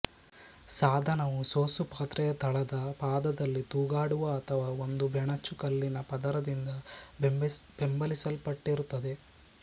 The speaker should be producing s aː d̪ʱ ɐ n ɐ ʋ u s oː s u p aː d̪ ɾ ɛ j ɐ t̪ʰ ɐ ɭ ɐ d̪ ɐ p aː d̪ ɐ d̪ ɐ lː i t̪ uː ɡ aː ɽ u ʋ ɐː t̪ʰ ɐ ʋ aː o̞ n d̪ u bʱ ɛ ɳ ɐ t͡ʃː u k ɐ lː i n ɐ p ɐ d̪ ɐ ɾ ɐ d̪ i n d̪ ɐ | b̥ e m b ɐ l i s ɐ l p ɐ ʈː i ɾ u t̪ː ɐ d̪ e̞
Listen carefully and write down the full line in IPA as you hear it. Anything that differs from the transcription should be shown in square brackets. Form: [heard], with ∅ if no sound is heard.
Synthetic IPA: s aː d̪ʱ ɐ n ɐ ʋ u s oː s u p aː [t̪] ɾ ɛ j ɐ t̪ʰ ɐ ɭ ɐ d̪ ɐ p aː d̪ ɐ d̪ ɐ lː i t̪ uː ɡ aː ɽ u ʋ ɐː t̪ʰ ɐ ʋ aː o̞ n d̪ u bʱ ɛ ɳ ɐ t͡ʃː u k ɐ lː i n ɐ p ɐ d̪ ɐ ɾ ɐ d̪ i n d̪ ɐ | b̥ e m b ɐ l i s ɐ l p ɐ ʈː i ɾ u t̪ː ɐ d̪ e̞